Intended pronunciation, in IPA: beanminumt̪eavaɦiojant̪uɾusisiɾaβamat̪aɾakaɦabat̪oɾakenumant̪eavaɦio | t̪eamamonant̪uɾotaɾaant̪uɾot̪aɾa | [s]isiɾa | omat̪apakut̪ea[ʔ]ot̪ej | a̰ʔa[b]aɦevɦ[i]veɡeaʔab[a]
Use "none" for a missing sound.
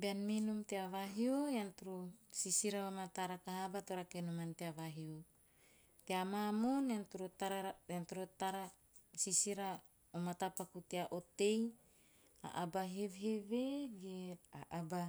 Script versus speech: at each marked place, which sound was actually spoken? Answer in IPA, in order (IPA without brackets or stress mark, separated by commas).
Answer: s, ʔ, b, e, a